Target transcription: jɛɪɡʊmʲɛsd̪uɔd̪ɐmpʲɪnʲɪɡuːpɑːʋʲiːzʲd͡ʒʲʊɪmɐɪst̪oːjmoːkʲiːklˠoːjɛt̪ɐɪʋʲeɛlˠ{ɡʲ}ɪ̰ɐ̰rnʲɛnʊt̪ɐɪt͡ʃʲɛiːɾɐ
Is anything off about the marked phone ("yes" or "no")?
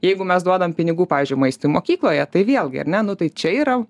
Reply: no